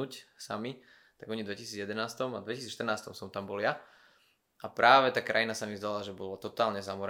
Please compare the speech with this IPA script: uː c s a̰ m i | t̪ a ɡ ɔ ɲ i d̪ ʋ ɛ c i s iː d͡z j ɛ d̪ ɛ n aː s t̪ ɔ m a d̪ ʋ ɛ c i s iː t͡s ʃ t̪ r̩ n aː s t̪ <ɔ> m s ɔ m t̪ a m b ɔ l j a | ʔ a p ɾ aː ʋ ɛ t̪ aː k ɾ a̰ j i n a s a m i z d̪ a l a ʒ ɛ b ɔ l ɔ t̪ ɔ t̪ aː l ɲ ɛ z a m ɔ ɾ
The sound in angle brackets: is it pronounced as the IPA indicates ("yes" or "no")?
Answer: yes